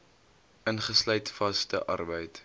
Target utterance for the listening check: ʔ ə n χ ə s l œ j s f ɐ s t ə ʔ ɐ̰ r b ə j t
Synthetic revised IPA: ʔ ə n χ ə s l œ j t f ɐ s t ə ʔ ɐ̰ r b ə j t